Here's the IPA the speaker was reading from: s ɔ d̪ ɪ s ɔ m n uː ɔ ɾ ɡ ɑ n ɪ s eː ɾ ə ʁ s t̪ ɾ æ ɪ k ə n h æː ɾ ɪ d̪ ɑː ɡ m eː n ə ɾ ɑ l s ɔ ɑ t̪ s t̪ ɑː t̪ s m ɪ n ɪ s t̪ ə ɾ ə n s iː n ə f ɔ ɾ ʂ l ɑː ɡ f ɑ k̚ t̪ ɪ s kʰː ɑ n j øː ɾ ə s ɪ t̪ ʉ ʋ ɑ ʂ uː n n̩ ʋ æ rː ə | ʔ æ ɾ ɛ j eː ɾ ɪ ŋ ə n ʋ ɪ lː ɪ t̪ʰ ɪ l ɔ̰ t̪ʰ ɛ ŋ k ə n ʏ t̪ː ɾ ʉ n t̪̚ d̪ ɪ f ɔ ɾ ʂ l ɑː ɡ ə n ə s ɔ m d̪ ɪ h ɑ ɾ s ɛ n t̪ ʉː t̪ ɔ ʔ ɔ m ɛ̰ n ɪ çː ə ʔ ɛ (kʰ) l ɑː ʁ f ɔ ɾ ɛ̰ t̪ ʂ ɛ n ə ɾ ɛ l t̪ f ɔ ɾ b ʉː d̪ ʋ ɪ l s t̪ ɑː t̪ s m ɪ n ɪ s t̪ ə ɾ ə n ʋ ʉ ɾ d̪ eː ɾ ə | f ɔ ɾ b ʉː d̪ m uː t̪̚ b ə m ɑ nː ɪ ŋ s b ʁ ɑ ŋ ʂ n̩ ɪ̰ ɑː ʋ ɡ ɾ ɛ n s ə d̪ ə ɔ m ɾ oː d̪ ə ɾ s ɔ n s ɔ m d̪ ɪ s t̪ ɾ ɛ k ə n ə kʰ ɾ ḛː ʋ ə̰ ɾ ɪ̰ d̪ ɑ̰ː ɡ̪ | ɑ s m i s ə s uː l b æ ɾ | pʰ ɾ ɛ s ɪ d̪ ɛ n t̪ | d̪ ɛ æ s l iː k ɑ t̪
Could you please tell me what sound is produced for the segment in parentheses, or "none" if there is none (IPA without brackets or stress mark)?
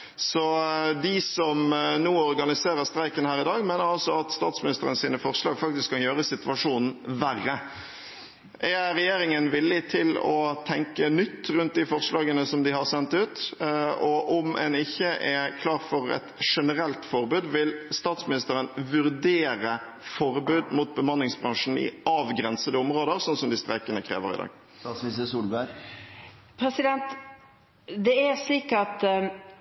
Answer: kʰ